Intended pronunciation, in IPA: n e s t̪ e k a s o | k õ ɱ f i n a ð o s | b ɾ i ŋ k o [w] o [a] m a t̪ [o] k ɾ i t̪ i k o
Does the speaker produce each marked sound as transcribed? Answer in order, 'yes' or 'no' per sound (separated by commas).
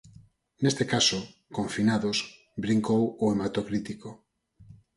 yes, no, yes